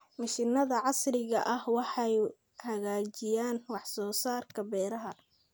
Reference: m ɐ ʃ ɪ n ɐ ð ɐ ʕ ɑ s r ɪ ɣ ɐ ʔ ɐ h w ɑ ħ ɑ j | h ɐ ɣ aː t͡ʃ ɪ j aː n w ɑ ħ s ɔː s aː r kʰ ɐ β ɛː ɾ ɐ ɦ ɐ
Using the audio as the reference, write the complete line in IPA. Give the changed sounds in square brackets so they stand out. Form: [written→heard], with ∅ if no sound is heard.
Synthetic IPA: m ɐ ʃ ɪ n ɐ ð ɐ ʕ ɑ s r ɪ ɣ ɐ ʔ ɐ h w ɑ ħ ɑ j | h ɐ ɣ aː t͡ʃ ɪ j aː n w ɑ ħ s ɔː s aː r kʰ ɐ [β→b] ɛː ɾ ɐ ɦ ɐ